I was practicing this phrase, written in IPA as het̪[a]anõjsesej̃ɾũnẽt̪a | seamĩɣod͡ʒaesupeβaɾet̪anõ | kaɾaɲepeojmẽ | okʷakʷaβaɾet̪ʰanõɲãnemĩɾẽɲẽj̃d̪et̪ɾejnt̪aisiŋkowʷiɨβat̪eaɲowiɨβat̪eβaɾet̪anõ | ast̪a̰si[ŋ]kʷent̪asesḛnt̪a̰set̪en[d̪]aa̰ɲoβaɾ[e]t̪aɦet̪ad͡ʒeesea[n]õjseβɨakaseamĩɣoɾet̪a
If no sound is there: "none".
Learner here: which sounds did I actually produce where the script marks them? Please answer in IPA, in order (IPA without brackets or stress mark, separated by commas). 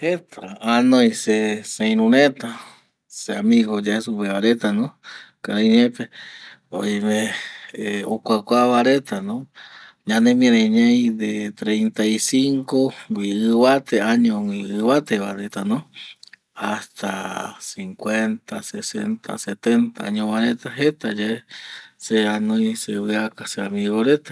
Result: a, ŋ, t̪, e, n